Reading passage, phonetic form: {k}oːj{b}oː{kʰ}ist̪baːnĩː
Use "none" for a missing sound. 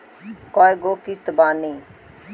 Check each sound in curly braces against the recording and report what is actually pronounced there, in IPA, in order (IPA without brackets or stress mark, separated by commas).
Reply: k, ɡ, k